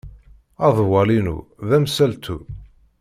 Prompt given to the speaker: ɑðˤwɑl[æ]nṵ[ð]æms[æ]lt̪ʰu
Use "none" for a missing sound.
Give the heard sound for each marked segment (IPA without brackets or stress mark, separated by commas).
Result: i, ð, æ